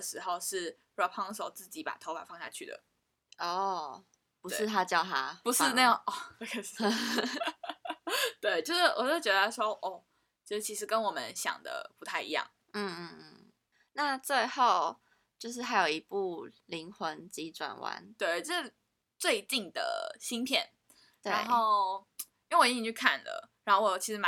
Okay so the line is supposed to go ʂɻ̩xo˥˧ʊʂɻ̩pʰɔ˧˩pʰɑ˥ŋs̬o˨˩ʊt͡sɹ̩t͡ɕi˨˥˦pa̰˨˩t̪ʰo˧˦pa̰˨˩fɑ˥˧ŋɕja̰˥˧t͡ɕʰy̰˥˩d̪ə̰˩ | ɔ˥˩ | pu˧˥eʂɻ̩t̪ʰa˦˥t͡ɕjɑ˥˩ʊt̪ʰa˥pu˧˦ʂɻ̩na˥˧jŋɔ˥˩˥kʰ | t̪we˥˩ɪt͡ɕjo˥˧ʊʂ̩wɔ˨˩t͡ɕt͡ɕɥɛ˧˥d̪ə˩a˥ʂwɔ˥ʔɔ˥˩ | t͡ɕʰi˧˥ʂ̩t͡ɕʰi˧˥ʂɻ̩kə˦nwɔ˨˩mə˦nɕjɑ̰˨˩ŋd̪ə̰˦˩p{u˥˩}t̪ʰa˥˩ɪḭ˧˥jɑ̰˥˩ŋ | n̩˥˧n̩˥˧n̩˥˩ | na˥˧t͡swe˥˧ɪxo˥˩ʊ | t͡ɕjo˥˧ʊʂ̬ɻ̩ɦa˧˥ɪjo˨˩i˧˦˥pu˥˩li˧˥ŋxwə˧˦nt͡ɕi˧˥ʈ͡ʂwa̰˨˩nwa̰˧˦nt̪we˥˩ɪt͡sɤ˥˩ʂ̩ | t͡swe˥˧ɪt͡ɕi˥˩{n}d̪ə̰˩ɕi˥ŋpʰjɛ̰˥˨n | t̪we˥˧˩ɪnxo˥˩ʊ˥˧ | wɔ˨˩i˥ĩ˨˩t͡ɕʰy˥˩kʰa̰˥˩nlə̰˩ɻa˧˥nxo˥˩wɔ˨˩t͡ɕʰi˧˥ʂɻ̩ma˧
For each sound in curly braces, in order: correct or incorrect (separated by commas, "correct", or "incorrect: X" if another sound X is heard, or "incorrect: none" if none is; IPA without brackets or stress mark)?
incorrect: u˧˥, incorrect: ŋ